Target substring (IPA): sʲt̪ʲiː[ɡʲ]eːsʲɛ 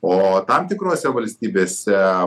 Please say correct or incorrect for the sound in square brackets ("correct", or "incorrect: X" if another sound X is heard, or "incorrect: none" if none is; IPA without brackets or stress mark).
incorrect: bʲ